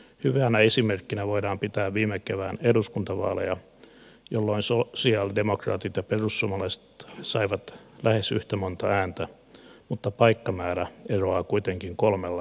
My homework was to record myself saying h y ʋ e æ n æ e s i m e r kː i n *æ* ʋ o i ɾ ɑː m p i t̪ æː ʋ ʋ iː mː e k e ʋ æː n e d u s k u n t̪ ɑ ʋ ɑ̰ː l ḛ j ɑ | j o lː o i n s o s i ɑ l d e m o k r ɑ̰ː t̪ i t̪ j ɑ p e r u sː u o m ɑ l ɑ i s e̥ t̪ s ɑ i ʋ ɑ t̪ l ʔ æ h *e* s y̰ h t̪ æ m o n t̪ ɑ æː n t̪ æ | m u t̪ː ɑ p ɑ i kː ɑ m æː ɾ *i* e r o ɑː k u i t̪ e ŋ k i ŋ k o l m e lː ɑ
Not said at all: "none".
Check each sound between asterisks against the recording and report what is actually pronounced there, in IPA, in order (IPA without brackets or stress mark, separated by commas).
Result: æ, e, æ